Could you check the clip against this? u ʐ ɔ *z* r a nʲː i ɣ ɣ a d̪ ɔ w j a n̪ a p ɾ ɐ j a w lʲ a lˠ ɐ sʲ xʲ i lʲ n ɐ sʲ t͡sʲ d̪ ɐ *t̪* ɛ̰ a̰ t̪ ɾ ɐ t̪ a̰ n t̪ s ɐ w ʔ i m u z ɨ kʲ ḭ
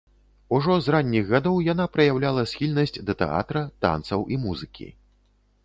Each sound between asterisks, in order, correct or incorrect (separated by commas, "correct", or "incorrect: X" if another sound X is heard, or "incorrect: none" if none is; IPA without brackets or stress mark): correct, correct